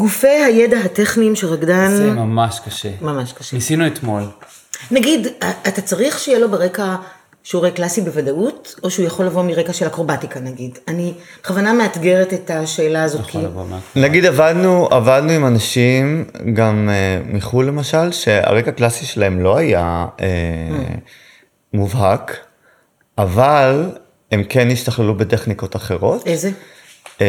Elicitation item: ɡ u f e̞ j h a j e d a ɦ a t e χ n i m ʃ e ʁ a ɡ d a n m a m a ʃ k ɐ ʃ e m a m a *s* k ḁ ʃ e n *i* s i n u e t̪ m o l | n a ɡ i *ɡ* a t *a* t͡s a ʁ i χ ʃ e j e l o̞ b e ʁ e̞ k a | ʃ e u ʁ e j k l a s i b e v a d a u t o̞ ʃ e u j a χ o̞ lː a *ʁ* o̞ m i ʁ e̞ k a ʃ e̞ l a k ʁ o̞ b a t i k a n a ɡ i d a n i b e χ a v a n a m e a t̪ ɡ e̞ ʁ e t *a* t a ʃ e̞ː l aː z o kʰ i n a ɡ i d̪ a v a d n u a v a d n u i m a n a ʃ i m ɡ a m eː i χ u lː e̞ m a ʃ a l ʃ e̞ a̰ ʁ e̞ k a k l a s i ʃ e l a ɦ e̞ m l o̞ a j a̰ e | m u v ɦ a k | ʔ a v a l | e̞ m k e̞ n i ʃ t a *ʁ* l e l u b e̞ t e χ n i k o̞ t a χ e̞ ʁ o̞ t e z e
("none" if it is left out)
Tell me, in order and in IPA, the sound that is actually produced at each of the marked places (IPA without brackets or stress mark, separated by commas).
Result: ʃ, i, d, a, v, e, χ